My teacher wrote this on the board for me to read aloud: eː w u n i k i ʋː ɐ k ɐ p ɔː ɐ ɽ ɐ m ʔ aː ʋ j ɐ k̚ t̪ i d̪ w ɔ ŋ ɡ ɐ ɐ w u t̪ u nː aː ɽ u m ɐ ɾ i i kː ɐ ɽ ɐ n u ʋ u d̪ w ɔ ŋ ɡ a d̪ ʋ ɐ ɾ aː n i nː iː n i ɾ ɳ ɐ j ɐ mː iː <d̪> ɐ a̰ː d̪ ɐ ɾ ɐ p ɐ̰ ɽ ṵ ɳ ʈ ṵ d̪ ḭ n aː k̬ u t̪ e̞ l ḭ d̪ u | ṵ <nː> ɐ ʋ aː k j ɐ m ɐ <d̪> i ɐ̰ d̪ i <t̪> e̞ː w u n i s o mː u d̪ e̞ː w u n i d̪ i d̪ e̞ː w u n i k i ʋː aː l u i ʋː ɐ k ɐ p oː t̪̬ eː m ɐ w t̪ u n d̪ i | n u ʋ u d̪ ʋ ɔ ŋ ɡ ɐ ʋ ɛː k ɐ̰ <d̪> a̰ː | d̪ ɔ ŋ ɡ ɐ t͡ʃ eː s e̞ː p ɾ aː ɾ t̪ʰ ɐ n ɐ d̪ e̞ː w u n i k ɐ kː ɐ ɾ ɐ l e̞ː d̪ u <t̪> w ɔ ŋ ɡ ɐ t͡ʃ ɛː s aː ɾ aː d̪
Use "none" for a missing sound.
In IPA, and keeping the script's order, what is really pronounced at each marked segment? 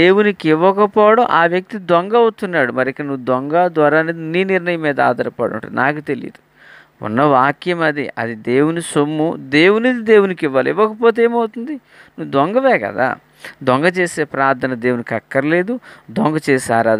d̪, nː, d̪, d̪, d̪, d̪

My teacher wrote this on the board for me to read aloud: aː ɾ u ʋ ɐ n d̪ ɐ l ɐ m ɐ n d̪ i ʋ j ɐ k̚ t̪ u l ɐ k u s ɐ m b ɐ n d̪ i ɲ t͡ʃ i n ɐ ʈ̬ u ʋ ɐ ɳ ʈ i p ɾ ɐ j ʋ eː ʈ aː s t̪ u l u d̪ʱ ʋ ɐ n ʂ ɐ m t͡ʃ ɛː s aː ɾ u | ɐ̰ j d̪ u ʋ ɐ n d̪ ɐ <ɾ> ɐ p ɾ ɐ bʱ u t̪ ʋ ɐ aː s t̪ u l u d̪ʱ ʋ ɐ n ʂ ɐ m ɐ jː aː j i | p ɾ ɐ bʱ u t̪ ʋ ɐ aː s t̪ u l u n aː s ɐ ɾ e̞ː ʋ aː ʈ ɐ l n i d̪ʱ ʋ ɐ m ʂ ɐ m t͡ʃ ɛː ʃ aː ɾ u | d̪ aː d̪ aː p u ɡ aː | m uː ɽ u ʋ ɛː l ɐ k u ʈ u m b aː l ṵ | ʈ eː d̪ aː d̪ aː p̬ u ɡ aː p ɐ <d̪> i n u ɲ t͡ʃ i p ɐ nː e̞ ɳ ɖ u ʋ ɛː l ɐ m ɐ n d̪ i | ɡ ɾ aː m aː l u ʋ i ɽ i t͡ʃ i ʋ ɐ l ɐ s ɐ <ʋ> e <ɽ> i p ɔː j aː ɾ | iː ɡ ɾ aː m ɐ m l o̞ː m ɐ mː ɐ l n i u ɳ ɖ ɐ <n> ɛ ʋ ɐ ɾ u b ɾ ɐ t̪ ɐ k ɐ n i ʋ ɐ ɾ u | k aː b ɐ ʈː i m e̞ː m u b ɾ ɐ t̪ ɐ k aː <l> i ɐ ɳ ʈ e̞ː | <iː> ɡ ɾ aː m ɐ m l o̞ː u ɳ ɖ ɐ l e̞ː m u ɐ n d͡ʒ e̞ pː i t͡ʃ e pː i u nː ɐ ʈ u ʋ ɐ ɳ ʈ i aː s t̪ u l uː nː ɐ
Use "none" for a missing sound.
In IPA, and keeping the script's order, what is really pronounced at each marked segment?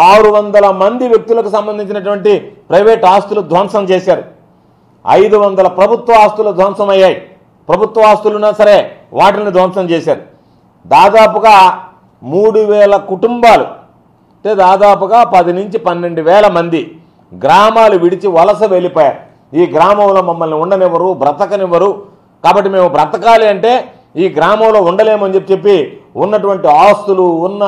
l, d̪, ʋ, l, n, l, iː

